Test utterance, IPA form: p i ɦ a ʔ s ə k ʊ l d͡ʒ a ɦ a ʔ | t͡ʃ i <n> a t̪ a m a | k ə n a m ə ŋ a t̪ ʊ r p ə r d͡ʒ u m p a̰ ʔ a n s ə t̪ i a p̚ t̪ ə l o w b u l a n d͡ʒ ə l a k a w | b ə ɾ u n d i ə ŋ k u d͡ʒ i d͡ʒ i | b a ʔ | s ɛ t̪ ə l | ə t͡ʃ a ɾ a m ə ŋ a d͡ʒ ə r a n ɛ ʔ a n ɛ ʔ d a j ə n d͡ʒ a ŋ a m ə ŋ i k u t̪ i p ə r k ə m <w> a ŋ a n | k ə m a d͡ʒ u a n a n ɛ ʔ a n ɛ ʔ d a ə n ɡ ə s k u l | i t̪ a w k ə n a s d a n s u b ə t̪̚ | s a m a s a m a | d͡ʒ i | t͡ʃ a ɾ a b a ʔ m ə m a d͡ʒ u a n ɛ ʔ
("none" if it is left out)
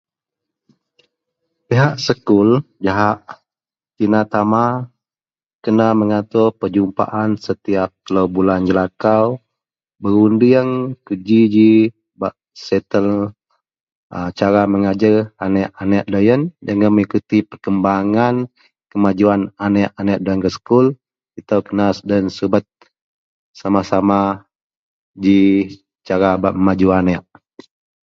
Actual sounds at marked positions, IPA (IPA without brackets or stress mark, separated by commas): n, b